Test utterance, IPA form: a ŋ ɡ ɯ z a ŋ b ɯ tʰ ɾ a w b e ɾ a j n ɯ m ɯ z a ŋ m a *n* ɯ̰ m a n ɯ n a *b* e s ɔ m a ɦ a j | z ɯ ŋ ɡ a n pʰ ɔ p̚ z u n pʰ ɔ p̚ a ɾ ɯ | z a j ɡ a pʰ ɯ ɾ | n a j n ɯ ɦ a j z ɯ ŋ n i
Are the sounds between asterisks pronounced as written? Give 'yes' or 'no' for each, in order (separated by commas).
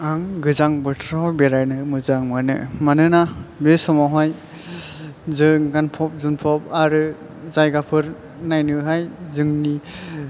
yes, yes